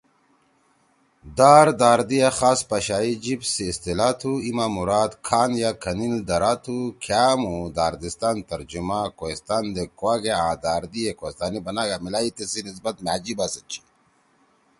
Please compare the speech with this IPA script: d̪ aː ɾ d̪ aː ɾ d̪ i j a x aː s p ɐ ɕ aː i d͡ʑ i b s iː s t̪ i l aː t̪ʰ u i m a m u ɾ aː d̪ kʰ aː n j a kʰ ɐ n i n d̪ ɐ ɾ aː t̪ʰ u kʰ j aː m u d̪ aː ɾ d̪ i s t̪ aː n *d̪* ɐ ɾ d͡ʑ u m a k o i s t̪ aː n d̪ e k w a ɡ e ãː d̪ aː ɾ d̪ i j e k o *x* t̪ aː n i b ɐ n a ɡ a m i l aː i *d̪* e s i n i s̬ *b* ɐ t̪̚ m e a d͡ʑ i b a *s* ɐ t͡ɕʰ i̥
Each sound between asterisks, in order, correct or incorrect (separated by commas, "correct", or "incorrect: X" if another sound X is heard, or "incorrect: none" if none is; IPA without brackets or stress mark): incorrect: t̪, incorrect: s, incorrect: t̪, correct, correct